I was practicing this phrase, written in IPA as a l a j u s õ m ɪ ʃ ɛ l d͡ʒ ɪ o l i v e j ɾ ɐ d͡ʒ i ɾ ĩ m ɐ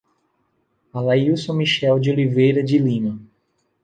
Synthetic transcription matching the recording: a l a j u s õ m i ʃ ɛ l d͡ʒ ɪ o l i v e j ɾ ɐ d͡ʒ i l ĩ m ɐ